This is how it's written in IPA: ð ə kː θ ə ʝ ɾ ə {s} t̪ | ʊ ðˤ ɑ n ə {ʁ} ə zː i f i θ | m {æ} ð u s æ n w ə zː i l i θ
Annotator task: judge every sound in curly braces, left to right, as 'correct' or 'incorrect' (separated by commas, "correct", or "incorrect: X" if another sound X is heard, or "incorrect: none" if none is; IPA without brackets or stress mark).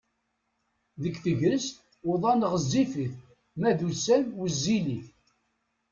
correct, correct, correct